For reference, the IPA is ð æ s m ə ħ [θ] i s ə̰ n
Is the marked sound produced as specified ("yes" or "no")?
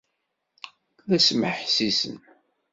no